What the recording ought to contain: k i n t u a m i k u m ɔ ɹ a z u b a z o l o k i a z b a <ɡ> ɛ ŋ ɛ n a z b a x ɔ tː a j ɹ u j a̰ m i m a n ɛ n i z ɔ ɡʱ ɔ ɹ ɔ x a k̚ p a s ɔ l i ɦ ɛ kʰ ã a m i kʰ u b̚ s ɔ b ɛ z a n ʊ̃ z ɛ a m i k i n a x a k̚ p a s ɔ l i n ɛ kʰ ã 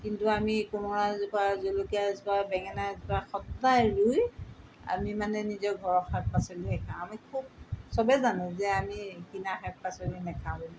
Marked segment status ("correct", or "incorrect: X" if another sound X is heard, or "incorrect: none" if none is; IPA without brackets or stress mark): incorrect: b